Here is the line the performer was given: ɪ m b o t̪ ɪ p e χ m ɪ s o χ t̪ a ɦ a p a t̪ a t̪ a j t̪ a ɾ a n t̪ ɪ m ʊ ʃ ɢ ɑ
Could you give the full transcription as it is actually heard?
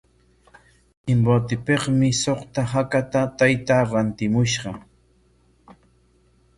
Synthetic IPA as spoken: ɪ m b o t̪ ɪ p e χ m ɪ s o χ t̪ a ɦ a k a t̪ a t̪ a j t̪ a ɾ a n t̪ ɪ m ʊ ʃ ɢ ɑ